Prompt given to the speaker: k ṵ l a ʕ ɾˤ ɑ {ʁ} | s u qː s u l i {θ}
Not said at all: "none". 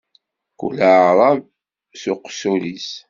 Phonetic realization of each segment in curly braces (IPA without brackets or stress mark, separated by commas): v, s